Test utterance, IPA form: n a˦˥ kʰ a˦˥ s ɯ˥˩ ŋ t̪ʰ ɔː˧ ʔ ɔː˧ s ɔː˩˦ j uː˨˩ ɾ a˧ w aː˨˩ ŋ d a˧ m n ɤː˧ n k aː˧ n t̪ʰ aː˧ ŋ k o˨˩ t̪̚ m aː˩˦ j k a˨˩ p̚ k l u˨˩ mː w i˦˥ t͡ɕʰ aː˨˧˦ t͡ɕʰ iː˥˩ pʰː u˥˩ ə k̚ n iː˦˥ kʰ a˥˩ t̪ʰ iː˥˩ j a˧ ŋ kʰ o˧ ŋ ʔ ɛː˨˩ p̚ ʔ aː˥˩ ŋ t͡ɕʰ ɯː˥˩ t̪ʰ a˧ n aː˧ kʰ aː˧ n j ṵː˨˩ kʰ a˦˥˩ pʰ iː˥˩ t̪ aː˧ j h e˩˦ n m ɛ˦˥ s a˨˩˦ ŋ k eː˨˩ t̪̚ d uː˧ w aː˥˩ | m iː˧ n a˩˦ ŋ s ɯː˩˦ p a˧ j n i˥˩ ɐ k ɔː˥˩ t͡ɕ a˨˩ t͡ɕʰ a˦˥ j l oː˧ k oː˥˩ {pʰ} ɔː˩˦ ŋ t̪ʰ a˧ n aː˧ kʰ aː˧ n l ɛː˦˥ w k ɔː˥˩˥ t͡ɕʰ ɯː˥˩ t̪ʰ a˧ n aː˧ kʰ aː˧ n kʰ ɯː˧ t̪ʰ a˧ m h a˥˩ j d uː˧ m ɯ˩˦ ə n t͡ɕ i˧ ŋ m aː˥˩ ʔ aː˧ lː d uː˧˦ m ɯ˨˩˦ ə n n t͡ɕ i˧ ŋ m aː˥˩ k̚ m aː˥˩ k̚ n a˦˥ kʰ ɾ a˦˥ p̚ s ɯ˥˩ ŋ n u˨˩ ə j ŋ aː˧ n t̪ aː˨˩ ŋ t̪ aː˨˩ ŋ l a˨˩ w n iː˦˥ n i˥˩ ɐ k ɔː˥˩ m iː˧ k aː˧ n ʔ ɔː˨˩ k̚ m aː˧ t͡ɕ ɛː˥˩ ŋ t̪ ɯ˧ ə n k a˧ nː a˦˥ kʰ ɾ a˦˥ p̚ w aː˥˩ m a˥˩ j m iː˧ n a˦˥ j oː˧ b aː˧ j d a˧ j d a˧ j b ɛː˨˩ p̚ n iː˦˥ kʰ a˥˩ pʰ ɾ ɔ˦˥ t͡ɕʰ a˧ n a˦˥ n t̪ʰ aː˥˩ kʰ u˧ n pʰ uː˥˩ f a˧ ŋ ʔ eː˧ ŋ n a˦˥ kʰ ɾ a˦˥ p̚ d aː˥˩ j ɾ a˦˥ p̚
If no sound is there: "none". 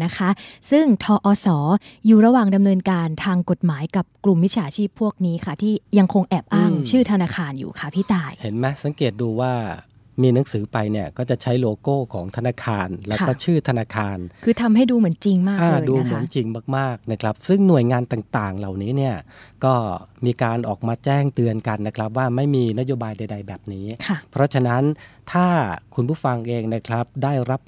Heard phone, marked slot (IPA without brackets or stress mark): kʰ